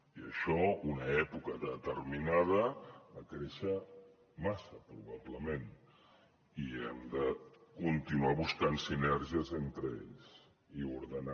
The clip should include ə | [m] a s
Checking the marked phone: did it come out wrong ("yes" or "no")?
no